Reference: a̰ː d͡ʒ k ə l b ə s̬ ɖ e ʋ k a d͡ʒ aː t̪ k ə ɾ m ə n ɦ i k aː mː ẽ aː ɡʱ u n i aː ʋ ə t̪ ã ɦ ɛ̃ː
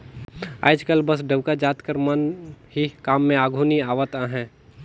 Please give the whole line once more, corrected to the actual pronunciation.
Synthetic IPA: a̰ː d͡ʒ k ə l b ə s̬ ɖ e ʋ k a d͡ʒ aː t̪ k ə ɾ m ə n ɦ i k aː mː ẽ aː ɡʱ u n i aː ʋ ə t̪ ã ɦ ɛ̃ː